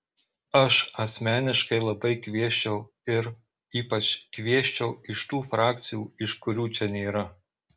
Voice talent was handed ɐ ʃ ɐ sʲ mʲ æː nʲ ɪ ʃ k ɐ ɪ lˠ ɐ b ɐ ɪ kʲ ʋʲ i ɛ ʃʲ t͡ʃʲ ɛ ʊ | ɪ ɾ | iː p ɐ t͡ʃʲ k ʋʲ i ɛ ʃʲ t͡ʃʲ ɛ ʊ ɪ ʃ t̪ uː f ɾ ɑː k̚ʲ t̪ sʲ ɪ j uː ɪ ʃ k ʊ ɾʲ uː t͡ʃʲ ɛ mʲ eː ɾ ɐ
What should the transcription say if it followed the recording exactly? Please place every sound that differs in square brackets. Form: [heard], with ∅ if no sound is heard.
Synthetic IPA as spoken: ɐ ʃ ɐ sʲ mʲ æː nʲ ɪ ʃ k ɐ ɪ lˠ ɐ b ɐ ɪ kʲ ʋʲ i ɛ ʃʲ t͡ʃʲ ɛ ʊ | ɪ ɾ | iː p ɐ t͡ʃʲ k ʋʲ i ɛ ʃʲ t͡ʃʲ ɛ ʊ ɪ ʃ t̪ uː f ɾ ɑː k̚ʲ t̪ sʲ ɪ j uː ɪ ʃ k ʊ ɾʲ uː t͡ʃʲ ɛ [nʲ] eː ɾ ɐ